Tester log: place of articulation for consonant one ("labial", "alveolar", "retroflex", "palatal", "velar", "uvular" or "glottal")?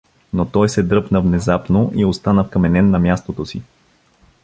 alveolar